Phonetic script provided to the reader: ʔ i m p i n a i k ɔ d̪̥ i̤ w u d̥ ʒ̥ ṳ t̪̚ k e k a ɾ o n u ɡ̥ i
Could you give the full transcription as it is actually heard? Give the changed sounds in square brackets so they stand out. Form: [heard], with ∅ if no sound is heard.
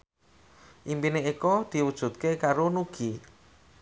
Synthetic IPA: ʔ i m p i n [e] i k ɔ d̪̥ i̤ w u d̥ ʒ̥ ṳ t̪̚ k e k a ɾ o n u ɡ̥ i

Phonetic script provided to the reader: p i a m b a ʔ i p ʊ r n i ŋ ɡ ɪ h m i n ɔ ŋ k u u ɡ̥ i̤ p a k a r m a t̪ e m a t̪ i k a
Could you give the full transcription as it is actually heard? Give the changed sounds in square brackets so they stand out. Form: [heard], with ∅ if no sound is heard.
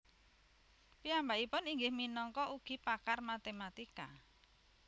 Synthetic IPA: p i a m b a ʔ i p ʊ [∅] n i ŋ ɡ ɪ h m i n ɔ ŋ k [ɔ] u ɡ̥ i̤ p a k a r m a t̪ e m a t̪ i k a

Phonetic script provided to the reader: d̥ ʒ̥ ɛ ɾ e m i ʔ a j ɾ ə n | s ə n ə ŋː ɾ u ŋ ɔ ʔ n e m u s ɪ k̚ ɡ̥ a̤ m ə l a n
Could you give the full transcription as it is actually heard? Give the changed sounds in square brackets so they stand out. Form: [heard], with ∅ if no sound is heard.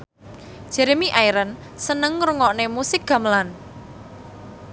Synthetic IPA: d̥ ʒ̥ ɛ ɾ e m i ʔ a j ɾ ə n | s ə n ə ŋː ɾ u ŋ ɔ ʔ n e m u s ɪ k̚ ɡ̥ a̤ m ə l a n

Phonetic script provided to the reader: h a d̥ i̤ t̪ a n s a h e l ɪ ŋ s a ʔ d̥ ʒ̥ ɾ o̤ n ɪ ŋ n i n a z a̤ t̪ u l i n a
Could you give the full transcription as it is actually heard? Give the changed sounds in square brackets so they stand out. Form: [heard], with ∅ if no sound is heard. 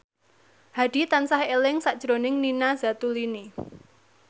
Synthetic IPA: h a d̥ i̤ t̪ a n s a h e l ɪ ŋ s a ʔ d̥ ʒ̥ ɾ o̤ n ɪ ŋ n i n a z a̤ t̪ u l i n [i]

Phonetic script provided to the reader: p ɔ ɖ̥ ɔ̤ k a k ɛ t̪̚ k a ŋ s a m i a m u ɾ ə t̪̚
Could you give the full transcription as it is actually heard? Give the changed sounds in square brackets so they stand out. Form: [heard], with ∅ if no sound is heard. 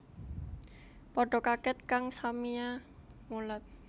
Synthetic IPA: p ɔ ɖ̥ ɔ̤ k a k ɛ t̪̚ k a ŋ s a m i a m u [l] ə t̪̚

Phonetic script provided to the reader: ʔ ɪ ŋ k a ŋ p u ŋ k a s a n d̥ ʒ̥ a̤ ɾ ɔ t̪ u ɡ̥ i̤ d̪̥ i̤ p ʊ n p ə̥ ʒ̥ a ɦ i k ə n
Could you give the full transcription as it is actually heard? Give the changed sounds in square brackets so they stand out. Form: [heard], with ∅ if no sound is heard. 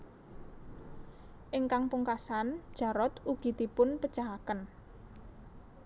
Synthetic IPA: ʔ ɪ ŋ k a ŋ p u ŋ k a s a n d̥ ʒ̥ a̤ ɾ ɔ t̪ u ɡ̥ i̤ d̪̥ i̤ p ʊ n p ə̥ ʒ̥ a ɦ [a] k ə n

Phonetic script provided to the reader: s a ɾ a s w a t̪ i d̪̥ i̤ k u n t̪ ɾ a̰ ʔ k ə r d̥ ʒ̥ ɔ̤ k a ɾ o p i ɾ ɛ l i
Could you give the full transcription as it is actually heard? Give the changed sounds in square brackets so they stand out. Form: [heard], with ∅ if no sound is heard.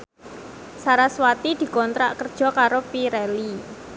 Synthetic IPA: s a ɾ a s w a t̪ i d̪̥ i̤ k [ɔ] n t̪ ɾ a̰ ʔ k ə r d̥ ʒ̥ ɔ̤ k a ɾ o p i ɾ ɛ l i

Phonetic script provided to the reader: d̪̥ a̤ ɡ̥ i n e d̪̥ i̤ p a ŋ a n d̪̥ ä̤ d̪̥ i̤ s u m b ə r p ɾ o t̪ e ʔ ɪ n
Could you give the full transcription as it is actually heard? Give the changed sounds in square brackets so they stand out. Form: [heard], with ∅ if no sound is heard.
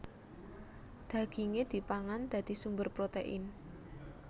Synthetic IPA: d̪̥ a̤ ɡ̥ i [ŋ] e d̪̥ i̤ p a ŋ a n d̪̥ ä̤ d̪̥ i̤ s u m b ə r p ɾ o t̪ e ʔ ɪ n

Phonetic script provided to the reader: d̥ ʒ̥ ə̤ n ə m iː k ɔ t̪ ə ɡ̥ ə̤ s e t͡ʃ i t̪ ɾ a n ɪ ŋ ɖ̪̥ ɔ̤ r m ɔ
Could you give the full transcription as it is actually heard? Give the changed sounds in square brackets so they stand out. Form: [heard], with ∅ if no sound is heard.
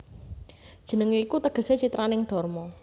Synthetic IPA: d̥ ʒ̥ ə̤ n ə [ŋ] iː k [u] t̪ ə ɡ̥ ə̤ s e t͡ʃ i t̪ ɾ a n ɪ ŋ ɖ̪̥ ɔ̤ r m ɔ

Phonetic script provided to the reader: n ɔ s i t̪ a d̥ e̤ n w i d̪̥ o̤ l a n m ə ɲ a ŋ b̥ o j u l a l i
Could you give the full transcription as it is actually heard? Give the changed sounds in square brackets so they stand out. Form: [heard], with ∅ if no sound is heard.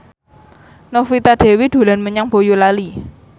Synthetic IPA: n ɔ [f] i t̪ a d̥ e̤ [∅] w i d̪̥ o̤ l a n m ə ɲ a ŋ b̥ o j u l a l i

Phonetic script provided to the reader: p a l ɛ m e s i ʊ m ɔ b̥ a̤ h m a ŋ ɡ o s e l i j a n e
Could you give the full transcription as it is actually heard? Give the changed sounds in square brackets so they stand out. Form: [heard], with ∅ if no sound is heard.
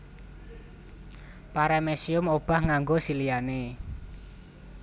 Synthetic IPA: p a [ɾ] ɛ m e s i ʊ m [o] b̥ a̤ h [ŋ] a ŋ ɡ o s [i] l i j a n e

